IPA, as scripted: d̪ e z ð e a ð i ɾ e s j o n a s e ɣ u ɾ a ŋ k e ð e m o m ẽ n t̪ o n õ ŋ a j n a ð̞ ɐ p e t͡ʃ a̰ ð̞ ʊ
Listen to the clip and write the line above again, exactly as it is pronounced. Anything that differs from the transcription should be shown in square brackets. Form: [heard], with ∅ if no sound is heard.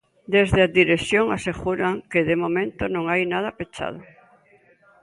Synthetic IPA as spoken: d̪ e z ð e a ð i ɾ e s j o [ŋ] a s e ɣ u ɾ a ŋ k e ð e m o m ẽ n t̪ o n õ ŋ a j n a ð̞ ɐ p e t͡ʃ a̰ ð̞ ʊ